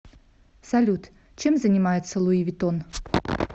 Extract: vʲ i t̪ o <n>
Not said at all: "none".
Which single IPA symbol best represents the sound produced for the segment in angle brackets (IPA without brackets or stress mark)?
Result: n